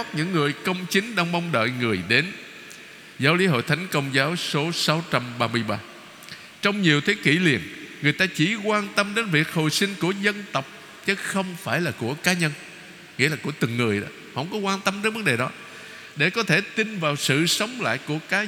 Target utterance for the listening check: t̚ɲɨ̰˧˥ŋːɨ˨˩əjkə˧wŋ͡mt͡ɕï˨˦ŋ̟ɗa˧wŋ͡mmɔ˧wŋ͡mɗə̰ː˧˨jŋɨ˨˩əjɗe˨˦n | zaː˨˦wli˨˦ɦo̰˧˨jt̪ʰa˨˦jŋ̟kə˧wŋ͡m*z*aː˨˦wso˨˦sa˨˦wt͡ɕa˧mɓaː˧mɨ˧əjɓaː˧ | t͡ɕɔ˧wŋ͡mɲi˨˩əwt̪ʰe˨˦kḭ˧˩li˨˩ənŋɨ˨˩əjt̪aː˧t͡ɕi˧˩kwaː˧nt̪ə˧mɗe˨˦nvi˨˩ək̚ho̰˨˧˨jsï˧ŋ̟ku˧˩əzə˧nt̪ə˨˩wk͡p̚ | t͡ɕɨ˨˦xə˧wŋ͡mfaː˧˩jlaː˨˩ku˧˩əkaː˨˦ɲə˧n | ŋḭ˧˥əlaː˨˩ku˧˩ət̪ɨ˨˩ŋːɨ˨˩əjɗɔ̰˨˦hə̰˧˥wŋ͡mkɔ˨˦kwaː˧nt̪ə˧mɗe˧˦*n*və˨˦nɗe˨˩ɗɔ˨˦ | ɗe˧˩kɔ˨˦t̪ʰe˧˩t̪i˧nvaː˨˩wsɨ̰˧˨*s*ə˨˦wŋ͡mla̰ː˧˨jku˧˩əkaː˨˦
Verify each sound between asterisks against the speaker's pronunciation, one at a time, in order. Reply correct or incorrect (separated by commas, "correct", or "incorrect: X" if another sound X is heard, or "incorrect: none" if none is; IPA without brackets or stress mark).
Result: correct, correct, correct